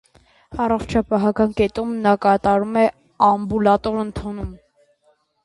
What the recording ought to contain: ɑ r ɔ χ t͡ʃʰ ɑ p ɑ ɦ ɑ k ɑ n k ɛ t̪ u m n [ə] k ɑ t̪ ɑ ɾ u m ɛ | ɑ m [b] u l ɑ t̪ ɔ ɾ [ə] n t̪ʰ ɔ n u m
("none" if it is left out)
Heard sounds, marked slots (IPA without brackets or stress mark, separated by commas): ɑ, b, ə